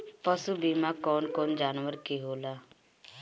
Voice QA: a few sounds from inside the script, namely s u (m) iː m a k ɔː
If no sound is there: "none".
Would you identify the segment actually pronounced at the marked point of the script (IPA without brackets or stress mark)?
b